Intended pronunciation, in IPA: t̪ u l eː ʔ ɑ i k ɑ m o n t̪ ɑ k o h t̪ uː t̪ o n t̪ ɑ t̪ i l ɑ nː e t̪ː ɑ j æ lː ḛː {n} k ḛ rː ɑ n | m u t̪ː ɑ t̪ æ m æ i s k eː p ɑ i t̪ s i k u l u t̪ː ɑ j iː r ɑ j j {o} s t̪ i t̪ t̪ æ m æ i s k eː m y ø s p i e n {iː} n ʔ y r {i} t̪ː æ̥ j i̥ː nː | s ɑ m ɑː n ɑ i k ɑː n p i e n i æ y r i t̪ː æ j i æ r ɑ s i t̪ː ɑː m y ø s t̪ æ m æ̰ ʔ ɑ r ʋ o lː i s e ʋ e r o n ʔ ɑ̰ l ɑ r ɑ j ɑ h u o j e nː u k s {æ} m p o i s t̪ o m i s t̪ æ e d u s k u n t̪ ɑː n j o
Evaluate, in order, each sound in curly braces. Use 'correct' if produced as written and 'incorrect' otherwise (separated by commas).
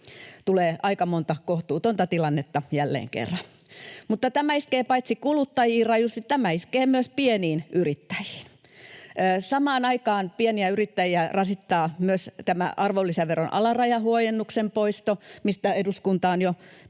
incorrect, incorrect, correct, correct, incorrect